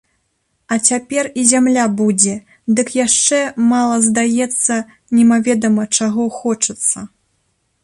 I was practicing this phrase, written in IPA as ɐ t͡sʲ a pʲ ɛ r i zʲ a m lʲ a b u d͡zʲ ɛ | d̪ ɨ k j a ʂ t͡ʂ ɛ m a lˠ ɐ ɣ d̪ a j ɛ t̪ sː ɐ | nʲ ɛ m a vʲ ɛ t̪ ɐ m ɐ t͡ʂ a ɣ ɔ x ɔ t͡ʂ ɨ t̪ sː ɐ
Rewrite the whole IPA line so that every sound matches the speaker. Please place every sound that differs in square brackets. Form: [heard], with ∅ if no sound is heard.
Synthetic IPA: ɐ t͡sʲ a pʲ ɛ r i zʲ a m lʲ a b u d͡zʲ ɛ | d̪ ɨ k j a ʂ t͡ʂ ɛ m a lˠ ɐ [z] d̪ a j ɛ t̪ sː ɐ | nʲ ɛ m a vʲ ɛ [d̪] ɐ m ɐ t͡ʂ a ɣ ɔ x ɔ t͡ʂ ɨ t̪ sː ɐ

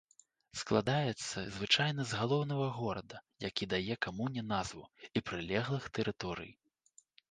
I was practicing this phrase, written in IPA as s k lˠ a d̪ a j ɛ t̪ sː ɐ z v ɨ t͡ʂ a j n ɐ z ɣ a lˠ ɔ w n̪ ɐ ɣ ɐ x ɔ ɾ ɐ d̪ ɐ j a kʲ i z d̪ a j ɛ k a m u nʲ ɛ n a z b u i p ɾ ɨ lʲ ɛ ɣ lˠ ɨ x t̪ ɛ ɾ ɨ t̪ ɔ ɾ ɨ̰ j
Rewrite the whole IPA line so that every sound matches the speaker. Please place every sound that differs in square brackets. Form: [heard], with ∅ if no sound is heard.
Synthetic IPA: s k lˠ a d̪ a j ɛ t̪ sː ɐ z v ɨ t͡ʂ a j n ɐ z ɣ a lˠ ɔ w n̪ ɐ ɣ ɐ [ɣ] ɔ ɾ ɐ d̪ ɐ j a kʲ i [∅] d̪ a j ɛ k a m u nʲ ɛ n a z [v] u i p ɾ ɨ lʲ ɛ ɣ lˠ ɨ x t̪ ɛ ɾ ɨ t̪ ɔ ɾ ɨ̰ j

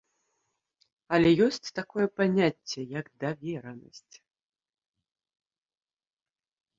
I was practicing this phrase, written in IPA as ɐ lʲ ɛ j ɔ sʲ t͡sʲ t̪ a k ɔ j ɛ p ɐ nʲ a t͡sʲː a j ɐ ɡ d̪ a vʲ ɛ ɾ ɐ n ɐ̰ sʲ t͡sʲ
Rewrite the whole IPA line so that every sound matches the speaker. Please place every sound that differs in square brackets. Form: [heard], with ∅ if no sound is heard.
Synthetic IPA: ɐ lʲ ɛ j ɔ sʲ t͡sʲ t̪ a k ɔ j ɛ p [a] nʲ a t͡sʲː [ɛ] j ɐ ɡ d̪ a vʲ ɛ ɾ ɐ n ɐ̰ sʲ t͡sʲ

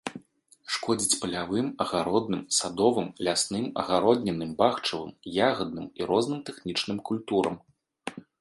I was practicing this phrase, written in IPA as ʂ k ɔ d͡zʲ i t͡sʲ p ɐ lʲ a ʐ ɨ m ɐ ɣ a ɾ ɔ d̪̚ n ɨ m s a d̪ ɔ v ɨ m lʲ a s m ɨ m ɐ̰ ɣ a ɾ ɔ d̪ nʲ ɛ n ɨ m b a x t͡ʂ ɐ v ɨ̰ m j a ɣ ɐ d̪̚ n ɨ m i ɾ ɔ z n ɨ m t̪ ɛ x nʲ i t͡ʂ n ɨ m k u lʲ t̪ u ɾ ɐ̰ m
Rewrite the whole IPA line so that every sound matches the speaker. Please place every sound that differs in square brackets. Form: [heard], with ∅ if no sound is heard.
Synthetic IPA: ʂ k ɔ d͡zʲ i t͡sʲ p ɐ lʲ a [v] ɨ m ɐ ɣ a ɾ ɔ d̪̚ n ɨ m s a d̪ ɔ v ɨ m lʲ a s [n] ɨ m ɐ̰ ɣ a ɾ ɔ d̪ nʲ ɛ n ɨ m b a x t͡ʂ ɐ v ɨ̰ m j a ɣ ɐ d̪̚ n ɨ m i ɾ ɔ z n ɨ m t̪ ɛ x nʲ i t͡ʂ n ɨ m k u lʲ t̪ u ɾ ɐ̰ m

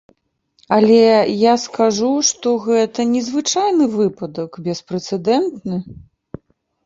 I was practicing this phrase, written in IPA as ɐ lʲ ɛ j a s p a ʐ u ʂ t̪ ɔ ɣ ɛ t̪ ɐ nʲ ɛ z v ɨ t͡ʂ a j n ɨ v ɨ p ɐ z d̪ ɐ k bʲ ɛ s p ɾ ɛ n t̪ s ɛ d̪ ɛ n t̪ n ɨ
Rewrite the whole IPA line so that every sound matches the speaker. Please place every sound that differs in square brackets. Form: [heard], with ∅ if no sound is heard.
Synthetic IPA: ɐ lʲ ɛ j a s [k] a ʐ u ʂ t̪ ɔ ɣ ɛ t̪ ɐ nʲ ɛ z v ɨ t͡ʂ a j n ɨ v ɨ p ɐ [∅] d̪ ɐ k bʲ ɛ s p ɾ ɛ [∅] t̪ s ɛ d̪ ɛ n t̪ n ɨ

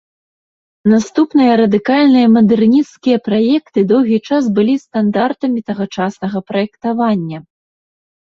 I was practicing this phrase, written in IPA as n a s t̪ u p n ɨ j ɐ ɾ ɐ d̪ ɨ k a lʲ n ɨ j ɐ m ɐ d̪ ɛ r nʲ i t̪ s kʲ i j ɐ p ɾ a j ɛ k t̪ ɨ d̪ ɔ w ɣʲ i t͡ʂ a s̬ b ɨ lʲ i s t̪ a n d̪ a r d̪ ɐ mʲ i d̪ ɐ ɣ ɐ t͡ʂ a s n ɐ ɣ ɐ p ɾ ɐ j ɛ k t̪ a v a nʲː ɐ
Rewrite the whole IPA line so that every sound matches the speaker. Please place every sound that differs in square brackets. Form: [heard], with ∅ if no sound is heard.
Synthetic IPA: n a s t̪ u p n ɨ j ɐ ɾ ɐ d̪ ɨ k a lʲ n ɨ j ɐ m ɐ d̪ ɛ r nʲ i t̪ s kʲ i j ɐ p ɾ a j ɛ k t̪ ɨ d̪ ɔ w ɣʲ i t͡ʂ a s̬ b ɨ lʲ i s t̪ a n d̪ a r [t̪] ɐ mʲ i [t̪] ɐ ɣ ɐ t͡ʂ a s n ɐ ɣ ɐ p ɾ ɐ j ɛ k t̪ a v a nʲː ɐ

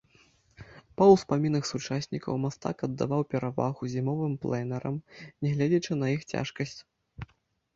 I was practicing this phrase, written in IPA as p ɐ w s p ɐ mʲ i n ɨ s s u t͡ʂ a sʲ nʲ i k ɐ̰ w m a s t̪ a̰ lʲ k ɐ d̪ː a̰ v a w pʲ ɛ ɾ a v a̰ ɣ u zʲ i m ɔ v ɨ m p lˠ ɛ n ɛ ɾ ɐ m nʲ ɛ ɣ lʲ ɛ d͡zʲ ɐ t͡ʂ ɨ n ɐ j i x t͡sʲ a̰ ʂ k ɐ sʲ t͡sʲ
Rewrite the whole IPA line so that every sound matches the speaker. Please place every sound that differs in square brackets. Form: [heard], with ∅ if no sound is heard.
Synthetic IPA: p ɐ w s p [a] mʲ i n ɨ [x] s u t͡ʂ a sʲ nʲ i k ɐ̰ w m a s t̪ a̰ [∅] k ɐ d̪ː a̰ v a w pʲ ɛ ɾ a v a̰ ɣ u zʲ i m ɔ v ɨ m p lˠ ɛ n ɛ ɾ ɐ m nʲ ɛ ɣ lʲ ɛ d͡zʲ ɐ t͡ʂ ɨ n ɐ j i x t͡sʲ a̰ ʂ k ɐ sʲ t͡sʲ

